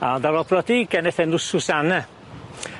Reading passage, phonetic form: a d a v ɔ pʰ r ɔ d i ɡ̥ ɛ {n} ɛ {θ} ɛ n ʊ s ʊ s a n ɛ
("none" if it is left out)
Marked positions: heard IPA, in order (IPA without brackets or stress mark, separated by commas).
n, θ